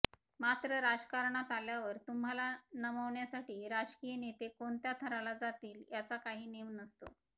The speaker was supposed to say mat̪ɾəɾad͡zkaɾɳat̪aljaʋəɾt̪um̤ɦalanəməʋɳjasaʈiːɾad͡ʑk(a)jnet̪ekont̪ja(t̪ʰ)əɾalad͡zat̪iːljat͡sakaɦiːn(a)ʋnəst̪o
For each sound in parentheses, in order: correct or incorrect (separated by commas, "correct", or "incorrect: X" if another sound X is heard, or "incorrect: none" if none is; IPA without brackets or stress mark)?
incorrect: i, correct, incorrect: e